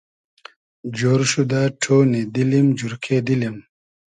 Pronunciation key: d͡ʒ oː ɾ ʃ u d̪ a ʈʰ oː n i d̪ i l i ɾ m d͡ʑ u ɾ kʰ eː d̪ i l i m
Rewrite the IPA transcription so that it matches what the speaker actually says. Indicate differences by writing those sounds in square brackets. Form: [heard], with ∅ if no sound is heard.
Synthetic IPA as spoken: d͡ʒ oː ɾ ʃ u d̪ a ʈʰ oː n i d̪ i l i [∅] m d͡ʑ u ɾ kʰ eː d̪ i l i m